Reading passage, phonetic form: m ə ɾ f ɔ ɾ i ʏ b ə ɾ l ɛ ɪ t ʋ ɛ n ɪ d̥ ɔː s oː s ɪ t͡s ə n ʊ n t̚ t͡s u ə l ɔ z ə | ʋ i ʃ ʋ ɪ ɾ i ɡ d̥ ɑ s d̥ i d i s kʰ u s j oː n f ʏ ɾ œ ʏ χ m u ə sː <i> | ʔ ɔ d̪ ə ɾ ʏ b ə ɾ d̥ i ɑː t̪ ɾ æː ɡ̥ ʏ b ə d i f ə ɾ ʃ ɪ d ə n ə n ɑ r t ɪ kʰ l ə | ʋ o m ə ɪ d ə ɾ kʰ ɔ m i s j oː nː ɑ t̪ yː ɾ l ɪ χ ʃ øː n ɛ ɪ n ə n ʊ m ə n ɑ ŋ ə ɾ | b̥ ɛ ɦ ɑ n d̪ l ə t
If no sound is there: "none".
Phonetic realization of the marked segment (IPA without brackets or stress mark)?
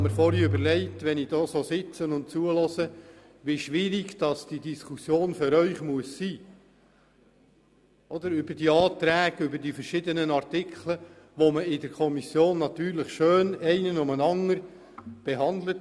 iː